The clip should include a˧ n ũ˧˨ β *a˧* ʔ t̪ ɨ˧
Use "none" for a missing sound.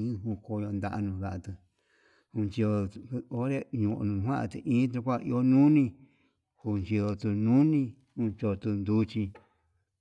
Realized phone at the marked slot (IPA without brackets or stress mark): a˧